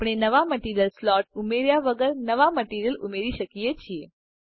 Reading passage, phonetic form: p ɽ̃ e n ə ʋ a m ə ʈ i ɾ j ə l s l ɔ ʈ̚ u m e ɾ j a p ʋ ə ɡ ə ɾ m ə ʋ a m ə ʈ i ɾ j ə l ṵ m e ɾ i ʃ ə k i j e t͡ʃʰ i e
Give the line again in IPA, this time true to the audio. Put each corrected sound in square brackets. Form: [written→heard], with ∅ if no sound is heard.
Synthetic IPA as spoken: p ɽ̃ e n ə ʋ a m ə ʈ i ɾ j ə l s l ɔ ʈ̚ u m e ɾ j a [p→∅] ʋ ə ɡ ə ɾ [m→n] ə ʋ a m ə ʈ i ɾ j ə l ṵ m e ɾ i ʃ ə k i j e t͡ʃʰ i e